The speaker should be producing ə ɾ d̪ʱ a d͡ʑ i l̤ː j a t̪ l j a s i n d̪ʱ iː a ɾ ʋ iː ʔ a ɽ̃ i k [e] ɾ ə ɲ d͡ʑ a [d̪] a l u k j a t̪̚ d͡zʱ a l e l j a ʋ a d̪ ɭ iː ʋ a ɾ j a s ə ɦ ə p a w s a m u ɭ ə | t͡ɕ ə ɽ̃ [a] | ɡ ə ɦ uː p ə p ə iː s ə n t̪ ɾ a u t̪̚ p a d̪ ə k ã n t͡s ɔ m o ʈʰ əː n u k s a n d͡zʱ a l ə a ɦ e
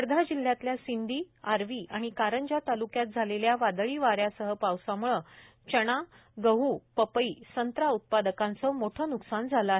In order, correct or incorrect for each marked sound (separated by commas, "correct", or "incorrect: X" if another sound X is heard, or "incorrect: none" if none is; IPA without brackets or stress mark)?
incorrect: a, incorrect: t̪, correct